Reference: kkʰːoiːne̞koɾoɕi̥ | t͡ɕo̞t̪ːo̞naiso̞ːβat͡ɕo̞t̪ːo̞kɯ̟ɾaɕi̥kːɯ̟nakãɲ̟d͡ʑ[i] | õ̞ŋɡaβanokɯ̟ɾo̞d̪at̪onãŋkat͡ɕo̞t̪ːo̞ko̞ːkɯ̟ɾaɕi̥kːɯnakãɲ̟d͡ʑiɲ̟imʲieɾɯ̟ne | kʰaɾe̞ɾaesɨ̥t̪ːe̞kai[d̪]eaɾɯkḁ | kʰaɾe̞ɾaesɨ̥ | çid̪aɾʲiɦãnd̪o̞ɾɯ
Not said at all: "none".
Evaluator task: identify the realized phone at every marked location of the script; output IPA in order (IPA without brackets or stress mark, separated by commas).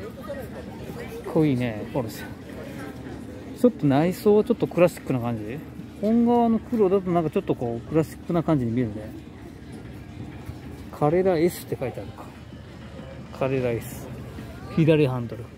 i, t̪